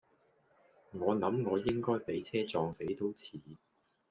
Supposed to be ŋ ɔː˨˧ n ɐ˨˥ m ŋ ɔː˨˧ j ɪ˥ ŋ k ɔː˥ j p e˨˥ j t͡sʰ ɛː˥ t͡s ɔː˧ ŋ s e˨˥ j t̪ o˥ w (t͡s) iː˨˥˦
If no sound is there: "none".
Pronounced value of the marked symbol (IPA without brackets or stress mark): t͡sʰ